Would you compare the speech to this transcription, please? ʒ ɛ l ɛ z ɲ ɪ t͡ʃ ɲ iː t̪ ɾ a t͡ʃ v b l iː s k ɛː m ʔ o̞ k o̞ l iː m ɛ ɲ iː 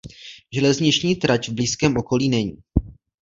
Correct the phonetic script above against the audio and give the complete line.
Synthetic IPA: ʒ ɛ l ɛ z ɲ ɪ t͡ʃ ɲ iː t̪ ɾ a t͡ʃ v b l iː s k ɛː m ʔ o̞ k o̞ l iː n ɛ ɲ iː